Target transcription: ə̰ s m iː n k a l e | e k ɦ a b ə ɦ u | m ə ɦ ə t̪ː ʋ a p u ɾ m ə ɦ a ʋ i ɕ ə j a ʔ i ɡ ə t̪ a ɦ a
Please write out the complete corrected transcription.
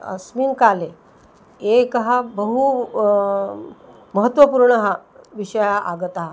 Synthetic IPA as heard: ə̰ s m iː n k a l e | e k ɦ a b ə ɦ u | m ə ɦ ə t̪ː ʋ ə p u ɾ ɳ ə ɦ a ʋ i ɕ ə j a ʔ a ɡ ə t̪ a ɦ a